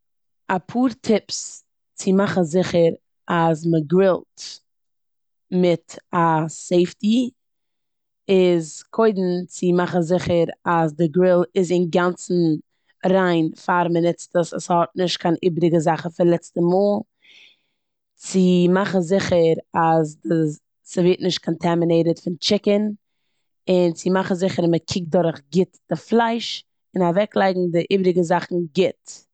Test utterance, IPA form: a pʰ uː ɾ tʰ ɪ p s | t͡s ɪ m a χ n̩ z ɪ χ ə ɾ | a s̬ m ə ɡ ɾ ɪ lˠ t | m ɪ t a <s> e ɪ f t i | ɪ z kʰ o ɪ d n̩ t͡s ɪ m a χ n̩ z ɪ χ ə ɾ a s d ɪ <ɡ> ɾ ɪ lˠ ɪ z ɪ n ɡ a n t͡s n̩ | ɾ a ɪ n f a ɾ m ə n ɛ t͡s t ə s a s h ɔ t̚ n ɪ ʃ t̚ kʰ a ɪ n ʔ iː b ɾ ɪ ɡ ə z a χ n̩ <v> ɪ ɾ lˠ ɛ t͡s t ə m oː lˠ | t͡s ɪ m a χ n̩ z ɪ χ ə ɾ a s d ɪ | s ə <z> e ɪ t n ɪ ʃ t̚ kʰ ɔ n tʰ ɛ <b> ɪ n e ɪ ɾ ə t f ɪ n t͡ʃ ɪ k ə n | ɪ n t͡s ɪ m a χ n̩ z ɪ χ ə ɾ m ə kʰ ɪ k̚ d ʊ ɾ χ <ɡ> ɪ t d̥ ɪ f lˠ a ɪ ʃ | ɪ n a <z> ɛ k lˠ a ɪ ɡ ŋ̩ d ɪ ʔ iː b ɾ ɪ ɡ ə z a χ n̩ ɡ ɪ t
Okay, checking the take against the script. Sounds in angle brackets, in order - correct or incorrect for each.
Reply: correct, correct, incorrect: f, incorrect: v, incorrect: m, correct, incorrect: v

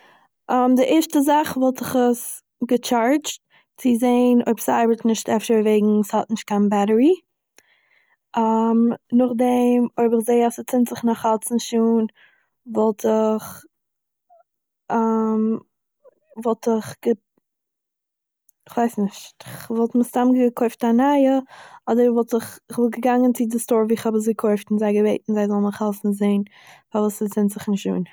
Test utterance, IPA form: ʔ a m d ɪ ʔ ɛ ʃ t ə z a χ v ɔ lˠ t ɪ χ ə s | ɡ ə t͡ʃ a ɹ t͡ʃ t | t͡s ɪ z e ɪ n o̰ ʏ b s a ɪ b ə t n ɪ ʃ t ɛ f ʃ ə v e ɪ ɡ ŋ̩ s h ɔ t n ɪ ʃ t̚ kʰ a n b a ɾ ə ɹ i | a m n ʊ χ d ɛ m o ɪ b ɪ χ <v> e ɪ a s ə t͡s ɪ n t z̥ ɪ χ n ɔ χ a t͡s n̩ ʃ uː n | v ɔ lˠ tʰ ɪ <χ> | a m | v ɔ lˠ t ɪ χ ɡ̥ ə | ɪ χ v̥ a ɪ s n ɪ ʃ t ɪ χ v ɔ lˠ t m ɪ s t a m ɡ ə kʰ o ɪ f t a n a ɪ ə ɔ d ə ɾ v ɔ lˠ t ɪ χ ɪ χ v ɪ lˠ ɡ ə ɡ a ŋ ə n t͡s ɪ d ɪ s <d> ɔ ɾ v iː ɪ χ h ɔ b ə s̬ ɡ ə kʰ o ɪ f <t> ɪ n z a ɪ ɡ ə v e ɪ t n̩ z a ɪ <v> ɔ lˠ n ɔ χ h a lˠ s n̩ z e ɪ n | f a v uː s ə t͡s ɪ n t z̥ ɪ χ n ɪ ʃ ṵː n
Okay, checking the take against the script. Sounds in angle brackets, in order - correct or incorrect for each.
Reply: incorrect: z, correct, incorrect: t, correct, incorrect: z

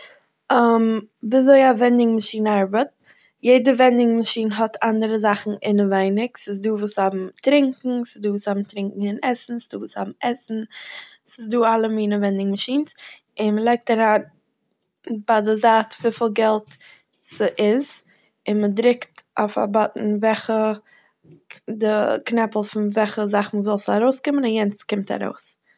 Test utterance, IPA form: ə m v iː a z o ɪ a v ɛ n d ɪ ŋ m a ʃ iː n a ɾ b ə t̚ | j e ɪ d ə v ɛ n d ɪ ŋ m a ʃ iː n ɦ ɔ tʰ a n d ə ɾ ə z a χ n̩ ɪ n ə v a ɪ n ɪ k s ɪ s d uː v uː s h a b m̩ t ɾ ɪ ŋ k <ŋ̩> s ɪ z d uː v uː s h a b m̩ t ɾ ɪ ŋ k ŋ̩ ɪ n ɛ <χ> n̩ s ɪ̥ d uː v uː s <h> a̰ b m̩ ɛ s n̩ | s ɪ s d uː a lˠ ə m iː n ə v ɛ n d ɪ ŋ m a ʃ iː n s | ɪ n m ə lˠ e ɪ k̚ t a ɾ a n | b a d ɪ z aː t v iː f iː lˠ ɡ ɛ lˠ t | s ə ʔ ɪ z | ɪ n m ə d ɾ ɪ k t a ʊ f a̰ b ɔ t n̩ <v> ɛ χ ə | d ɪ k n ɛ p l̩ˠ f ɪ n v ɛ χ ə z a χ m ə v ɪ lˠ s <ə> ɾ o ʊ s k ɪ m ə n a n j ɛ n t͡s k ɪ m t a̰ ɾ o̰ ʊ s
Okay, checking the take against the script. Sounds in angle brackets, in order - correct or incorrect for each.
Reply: correct, incorrect: s, correct, correct, incorrect: a

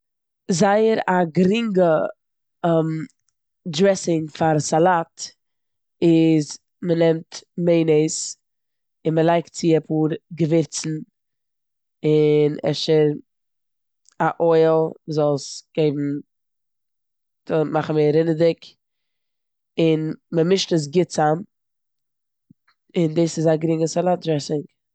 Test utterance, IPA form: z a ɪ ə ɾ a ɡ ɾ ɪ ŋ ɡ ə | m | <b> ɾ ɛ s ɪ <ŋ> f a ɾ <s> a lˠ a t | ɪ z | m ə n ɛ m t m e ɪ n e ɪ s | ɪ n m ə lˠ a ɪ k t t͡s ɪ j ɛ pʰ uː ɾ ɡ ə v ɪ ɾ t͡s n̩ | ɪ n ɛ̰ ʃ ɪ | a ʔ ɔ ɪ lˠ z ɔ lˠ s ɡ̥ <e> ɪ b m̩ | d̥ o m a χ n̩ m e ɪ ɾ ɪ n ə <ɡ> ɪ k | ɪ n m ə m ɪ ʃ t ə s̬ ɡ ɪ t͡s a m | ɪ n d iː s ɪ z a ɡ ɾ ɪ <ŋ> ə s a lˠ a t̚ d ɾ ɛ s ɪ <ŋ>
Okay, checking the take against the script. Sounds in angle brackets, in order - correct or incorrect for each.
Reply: incorrect: d, correct, correct, correct, incorrect: d, correct, correct

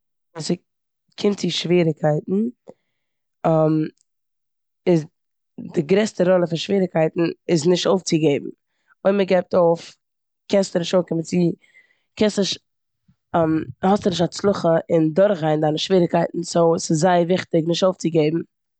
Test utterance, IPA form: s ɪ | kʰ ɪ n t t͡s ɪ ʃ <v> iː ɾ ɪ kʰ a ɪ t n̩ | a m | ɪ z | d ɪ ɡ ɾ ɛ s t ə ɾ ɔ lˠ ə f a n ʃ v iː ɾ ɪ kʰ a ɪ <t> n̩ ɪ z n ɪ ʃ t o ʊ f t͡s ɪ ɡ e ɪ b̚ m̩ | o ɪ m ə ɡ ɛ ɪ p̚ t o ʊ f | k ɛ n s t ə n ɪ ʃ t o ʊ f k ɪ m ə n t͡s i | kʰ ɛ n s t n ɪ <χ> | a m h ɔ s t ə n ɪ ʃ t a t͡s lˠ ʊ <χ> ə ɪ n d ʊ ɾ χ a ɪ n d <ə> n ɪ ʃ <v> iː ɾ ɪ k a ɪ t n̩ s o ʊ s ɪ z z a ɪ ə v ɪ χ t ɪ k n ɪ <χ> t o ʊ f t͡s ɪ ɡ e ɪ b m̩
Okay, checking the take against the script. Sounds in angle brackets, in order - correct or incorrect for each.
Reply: correct, correct, incorrect: ʃ, correct, incorrect: a, correct, incorrect: ʃ

